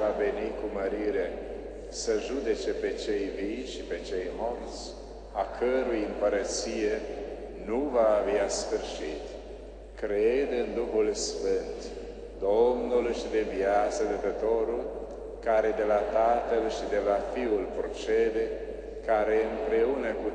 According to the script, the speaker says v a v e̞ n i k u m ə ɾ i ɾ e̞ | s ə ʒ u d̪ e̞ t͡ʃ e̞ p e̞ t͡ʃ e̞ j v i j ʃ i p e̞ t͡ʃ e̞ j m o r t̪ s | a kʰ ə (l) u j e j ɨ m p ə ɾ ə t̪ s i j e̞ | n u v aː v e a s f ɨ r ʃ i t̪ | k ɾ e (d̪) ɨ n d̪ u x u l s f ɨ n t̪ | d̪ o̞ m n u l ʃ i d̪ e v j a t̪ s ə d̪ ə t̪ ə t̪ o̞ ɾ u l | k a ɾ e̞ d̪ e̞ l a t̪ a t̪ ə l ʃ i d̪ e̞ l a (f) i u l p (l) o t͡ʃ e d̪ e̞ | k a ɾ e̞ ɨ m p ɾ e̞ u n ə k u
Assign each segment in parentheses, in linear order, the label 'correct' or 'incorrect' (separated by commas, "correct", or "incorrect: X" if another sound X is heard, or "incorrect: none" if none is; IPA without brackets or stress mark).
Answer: incorrect: ɾ, correct, correct, incorrect: ɾ